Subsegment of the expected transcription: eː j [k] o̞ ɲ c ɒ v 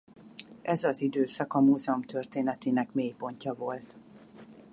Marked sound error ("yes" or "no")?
yes